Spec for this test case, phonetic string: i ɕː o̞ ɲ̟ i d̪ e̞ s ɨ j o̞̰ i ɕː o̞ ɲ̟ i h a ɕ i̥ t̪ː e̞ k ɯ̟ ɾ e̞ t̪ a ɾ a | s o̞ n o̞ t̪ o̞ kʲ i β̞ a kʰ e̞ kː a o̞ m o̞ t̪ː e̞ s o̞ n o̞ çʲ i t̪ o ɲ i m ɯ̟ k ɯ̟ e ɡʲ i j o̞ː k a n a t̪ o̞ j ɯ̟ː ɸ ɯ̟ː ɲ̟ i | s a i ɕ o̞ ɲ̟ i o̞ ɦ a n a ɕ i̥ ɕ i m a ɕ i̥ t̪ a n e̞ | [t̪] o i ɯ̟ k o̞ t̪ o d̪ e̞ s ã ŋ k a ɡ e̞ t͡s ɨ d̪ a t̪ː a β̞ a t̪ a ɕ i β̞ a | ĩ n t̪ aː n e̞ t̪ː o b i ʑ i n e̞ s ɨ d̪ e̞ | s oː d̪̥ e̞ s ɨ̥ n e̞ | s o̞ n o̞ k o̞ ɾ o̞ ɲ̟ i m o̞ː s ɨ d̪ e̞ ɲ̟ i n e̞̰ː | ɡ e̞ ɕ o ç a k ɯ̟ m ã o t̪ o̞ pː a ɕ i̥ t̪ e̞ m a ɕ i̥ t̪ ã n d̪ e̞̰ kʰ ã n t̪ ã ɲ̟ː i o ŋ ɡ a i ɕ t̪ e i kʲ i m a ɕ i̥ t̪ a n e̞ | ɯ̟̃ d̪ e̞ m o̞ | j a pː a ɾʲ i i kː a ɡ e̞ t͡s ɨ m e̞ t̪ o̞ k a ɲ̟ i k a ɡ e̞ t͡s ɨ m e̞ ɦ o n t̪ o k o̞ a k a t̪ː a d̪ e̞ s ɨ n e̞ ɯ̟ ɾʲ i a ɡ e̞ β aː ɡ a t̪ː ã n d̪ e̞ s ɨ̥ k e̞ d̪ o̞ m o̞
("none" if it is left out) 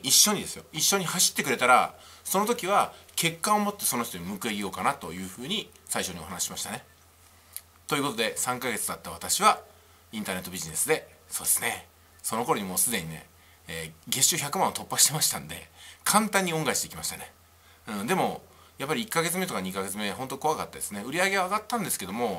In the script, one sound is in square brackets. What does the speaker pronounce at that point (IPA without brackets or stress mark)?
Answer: t̪